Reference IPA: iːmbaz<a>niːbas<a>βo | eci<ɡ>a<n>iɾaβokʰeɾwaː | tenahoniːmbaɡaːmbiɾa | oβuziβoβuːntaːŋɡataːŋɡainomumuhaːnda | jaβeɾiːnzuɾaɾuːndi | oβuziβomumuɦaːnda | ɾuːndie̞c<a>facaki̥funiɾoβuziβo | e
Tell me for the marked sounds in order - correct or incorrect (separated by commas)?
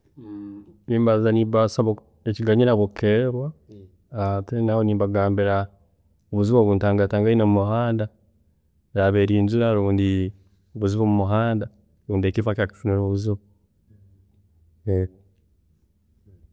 correct, correct, correct, incorrect, incorrect